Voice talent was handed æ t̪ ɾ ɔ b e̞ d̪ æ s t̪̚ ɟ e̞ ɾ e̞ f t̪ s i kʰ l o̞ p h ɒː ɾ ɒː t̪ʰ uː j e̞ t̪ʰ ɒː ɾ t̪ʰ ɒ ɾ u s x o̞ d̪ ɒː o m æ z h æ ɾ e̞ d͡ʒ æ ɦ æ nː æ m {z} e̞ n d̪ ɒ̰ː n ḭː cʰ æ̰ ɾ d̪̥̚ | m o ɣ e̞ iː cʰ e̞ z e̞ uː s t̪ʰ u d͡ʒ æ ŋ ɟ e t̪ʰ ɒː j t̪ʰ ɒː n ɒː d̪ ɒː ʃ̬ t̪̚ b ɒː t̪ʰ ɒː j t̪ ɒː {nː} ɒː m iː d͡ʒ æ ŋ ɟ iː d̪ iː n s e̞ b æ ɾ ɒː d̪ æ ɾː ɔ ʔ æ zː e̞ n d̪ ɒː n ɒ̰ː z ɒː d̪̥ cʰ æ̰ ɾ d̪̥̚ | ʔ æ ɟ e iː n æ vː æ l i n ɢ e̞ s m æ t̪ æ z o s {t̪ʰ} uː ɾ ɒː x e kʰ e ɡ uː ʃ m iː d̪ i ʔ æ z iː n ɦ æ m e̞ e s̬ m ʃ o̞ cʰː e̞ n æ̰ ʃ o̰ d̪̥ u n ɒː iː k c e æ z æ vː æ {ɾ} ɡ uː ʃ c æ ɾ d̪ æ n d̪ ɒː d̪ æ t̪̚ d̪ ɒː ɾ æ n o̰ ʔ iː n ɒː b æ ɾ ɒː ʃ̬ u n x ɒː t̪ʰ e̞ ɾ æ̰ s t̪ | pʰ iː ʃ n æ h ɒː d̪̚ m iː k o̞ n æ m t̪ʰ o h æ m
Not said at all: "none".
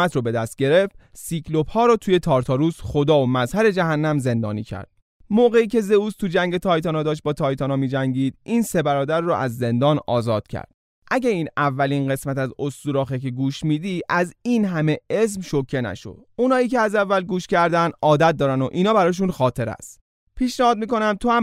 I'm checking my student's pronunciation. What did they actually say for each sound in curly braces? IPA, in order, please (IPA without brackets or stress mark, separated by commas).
z, n, t̪, l